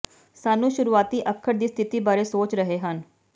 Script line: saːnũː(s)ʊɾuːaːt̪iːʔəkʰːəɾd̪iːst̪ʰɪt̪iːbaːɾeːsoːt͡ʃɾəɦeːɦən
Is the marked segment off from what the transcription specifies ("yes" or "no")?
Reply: yes